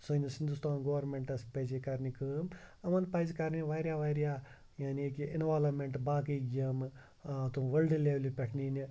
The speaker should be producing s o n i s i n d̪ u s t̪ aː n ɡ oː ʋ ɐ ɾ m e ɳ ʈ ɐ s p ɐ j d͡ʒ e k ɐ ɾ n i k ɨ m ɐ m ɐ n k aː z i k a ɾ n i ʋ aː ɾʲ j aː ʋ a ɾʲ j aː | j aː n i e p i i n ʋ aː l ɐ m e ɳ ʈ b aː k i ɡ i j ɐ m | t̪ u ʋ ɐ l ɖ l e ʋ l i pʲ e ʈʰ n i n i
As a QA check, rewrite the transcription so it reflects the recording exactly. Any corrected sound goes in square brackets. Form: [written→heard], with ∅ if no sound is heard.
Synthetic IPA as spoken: s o n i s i n d̪ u s t̪ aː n ɡ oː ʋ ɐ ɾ m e ɳ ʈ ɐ s p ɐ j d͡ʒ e k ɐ ɾ n i k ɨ m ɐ m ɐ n [k→p] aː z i k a ɾ n i ʋ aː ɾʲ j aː ʋ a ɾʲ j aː | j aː n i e [p→k] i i n ʋ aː l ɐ m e ɳ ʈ b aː k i ɡ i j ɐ m | t̪ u ʋ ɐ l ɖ l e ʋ l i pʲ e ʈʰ n i n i